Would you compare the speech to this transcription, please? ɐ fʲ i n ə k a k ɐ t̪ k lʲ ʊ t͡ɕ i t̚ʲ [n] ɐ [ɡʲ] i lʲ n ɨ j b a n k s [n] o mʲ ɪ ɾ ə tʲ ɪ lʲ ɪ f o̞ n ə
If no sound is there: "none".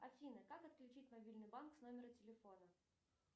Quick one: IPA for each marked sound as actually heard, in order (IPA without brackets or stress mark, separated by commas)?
m, bʲ, n